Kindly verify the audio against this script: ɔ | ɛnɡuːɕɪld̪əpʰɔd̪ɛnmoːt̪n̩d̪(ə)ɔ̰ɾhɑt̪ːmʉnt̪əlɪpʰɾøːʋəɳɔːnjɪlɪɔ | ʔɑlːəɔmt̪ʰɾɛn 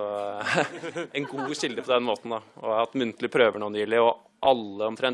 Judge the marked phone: incorrect: ɑ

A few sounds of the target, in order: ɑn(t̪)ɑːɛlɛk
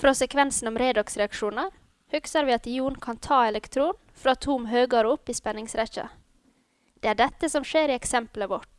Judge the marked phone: incorrect: t̪ʰ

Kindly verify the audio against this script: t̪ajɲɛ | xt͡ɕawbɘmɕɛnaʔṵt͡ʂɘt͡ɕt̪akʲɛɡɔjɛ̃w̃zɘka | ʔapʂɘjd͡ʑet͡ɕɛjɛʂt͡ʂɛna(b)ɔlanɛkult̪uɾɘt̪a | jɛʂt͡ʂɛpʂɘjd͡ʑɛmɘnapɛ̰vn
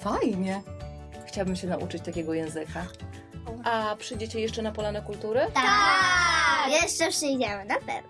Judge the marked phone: incorrect: p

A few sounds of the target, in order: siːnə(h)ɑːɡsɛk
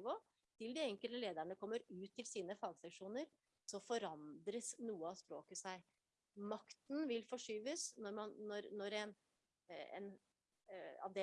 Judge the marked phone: incorrect: f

